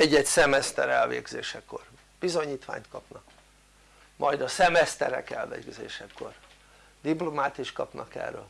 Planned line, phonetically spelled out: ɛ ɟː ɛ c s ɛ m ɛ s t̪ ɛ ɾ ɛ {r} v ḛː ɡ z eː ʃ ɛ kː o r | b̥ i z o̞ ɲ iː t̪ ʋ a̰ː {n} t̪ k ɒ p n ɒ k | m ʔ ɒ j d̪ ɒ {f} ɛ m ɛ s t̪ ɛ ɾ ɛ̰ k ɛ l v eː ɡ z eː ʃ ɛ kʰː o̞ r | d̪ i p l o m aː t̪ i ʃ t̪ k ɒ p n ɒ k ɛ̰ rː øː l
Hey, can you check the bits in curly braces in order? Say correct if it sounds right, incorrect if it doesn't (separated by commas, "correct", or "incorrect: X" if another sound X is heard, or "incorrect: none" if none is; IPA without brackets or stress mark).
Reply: incorrect: l, incorrect: ɲ, incorrect: s